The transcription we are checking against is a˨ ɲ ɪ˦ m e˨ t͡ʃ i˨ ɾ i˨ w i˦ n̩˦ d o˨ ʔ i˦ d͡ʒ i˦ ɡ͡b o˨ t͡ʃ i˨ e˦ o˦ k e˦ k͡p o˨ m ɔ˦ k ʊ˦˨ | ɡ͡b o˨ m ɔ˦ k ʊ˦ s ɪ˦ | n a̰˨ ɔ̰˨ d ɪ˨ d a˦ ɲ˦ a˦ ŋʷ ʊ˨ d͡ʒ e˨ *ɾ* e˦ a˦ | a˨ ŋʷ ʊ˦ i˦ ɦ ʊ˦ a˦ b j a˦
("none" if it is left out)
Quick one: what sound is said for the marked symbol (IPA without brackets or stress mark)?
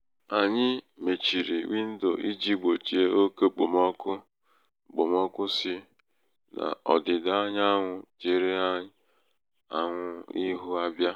ɾ